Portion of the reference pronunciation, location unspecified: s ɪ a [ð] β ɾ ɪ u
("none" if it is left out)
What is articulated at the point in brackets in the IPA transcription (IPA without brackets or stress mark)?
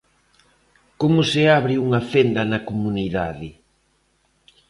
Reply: none